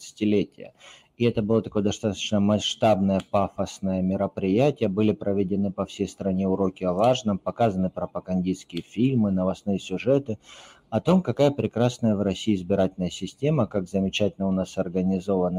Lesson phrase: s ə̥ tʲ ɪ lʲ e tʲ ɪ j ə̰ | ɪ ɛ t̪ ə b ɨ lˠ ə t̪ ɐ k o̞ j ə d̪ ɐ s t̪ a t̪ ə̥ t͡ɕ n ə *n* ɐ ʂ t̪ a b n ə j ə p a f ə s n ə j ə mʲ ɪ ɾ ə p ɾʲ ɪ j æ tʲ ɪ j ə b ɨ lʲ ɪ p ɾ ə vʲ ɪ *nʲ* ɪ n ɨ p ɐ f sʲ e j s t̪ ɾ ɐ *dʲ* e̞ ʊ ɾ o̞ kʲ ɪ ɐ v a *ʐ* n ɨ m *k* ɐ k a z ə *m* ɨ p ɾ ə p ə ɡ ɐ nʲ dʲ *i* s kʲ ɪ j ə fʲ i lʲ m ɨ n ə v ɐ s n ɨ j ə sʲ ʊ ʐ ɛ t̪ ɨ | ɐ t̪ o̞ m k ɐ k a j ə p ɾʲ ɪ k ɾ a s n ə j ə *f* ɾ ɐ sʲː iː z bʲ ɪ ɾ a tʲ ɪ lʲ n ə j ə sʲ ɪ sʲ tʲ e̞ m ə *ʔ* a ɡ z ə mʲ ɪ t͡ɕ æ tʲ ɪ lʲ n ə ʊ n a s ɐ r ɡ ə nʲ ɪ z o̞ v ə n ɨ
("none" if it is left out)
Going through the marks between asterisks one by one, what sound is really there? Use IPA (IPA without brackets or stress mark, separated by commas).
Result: m, dʲ, nʲ, ʐ, p, n, i, v, k